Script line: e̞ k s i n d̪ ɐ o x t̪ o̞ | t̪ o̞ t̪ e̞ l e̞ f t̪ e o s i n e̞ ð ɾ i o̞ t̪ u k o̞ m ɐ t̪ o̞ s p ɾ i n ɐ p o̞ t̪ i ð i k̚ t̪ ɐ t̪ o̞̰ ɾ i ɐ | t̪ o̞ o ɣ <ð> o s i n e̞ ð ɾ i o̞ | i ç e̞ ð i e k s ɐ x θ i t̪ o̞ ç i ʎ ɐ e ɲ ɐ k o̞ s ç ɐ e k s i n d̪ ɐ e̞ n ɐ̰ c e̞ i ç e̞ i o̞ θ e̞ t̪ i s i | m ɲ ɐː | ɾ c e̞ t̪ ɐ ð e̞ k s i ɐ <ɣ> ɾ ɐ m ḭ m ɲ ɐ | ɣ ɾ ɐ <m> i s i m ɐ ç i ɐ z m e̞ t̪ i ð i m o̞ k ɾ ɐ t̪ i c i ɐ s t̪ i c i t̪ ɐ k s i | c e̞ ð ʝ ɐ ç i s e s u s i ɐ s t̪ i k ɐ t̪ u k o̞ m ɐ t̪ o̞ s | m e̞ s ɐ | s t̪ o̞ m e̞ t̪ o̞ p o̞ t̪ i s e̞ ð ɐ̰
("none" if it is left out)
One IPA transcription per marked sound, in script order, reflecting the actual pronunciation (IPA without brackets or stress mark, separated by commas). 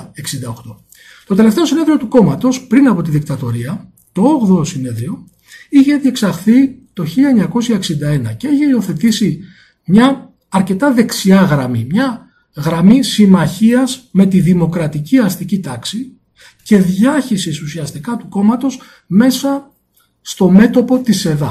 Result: ð, ɣ, m